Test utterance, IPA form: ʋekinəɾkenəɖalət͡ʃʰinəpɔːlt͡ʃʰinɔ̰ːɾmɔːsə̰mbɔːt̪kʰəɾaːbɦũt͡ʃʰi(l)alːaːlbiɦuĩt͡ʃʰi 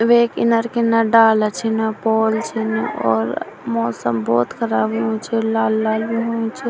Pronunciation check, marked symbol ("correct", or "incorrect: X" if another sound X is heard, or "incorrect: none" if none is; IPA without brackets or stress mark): correct